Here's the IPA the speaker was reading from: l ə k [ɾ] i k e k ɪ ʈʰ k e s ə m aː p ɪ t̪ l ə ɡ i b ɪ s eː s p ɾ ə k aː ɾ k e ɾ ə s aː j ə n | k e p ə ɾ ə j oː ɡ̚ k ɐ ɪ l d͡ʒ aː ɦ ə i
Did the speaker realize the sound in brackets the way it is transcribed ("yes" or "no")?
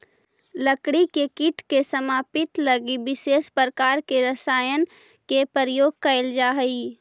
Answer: no